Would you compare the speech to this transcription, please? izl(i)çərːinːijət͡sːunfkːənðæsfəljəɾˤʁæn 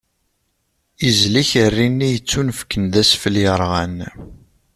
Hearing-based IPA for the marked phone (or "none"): i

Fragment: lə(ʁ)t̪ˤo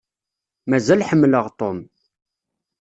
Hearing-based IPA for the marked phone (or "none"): ʁ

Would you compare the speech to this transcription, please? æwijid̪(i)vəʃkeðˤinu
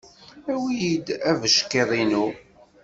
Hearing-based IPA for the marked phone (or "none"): æ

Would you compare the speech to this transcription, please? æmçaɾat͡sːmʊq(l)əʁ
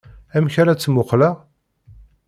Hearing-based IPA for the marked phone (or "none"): l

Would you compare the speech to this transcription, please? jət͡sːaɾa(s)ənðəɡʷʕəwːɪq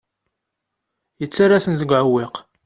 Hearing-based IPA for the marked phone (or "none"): θ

